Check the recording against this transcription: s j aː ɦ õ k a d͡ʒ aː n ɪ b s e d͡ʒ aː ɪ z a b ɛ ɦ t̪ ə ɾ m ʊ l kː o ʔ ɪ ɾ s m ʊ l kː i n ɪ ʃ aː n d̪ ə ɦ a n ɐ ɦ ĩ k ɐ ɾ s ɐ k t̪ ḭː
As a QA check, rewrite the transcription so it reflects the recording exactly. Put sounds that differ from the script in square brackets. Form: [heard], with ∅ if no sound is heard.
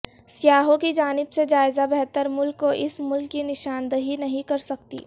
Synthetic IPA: s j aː ɦ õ k [i] d͡ʒ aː n ɪ b s e d͡ʒ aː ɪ z a b ɛ ɦ t̪ ə ɾ m ʊ l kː o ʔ ɪ [∅] s m ʊ l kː i n ɪ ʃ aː n d̪ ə ɦ [i] n ɐ ɦ ĩ k ɐ ɾ s ɐ k t̪ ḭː